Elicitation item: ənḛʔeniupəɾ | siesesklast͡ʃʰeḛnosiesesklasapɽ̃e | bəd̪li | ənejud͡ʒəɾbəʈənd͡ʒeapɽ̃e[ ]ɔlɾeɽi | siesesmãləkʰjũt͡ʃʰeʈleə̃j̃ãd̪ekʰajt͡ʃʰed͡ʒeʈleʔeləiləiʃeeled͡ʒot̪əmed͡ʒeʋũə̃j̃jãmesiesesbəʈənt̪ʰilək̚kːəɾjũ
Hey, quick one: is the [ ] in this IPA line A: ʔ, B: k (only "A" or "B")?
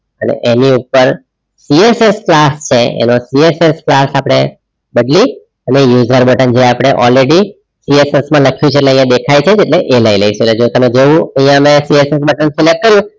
A